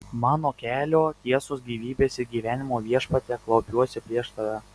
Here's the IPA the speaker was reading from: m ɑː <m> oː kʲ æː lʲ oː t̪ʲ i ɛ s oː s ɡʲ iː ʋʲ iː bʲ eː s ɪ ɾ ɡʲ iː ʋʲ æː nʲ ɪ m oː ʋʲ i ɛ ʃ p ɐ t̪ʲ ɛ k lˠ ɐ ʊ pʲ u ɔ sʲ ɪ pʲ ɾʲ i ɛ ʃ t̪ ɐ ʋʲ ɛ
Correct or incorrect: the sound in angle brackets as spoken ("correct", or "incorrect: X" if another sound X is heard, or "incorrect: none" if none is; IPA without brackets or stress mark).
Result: incorrect: n